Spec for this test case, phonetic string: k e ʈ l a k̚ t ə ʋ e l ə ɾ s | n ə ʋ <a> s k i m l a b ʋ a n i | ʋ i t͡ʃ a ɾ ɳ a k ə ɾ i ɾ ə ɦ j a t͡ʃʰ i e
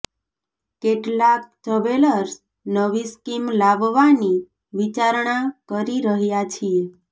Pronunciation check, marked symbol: incorrect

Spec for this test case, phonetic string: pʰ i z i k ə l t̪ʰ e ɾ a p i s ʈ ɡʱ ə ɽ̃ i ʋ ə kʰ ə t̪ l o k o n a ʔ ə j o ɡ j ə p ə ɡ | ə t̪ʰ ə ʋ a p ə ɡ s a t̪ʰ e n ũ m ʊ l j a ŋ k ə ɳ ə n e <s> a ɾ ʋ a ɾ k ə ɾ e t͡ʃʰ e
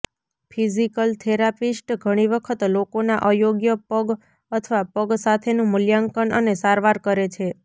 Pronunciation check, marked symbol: correct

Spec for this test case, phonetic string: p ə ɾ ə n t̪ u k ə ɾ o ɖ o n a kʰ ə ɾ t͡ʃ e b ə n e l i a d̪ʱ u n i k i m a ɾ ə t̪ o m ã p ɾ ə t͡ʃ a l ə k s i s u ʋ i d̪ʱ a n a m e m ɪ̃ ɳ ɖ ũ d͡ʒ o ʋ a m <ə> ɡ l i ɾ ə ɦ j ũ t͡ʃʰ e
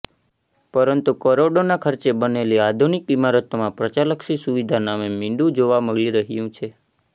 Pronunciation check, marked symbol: correct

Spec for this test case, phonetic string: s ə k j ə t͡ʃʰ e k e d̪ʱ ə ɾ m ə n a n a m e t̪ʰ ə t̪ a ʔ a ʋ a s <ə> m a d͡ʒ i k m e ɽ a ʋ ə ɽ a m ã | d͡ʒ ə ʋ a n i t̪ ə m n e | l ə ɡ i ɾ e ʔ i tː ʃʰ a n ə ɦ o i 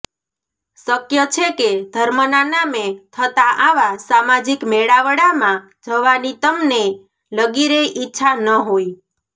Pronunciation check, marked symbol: incorrect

